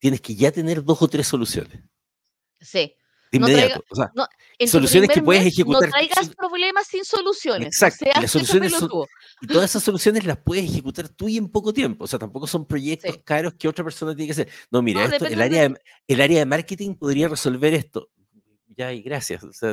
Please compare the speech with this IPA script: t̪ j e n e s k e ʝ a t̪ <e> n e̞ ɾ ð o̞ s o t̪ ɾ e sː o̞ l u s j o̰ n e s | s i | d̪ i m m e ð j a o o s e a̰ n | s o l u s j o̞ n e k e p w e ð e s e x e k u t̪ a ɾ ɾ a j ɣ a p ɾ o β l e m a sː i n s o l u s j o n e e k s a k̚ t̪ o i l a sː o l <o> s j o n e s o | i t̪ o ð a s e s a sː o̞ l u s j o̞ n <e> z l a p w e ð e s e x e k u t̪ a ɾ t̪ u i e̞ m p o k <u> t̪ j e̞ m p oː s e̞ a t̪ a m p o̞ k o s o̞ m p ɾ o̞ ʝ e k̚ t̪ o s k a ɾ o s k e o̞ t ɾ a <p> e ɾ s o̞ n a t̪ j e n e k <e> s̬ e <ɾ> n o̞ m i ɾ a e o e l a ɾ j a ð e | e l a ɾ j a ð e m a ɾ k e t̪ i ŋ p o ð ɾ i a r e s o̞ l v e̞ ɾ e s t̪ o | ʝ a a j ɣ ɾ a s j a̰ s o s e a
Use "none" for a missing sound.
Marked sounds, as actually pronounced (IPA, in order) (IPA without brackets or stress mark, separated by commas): e, u, e, o, p, a, ɾ